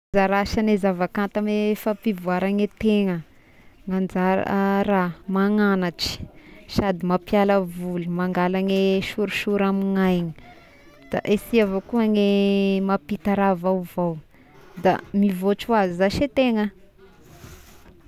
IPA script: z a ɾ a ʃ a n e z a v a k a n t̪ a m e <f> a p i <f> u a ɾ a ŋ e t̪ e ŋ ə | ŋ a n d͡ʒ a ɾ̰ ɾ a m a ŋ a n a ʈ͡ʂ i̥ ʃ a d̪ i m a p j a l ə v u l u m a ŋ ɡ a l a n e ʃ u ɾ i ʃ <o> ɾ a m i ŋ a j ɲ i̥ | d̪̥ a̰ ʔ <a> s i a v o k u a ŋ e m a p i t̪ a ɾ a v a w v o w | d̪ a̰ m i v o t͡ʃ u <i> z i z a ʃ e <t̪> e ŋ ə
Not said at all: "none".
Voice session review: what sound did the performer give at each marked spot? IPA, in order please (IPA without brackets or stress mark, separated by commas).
f, v, u, e, a, t̪